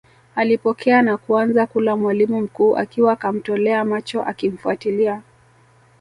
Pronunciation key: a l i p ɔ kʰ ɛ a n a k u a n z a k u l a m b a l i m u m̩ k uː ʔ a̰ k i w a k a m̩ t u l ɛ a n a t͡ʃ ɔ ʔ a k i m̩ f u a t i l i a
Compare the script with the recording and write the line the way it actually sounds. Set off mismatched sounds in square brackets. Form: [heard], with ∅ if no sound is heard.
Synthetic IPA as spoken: a l i p ɔ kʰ ɛ a n a k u a n z a k u l a m [w] a l i m u m̩ k uː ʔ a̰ k i w a k a m̩ t [ɔ] l ɛ a [m] a t͡ʃ ɔ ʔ a k i m̩ f u a t i l i a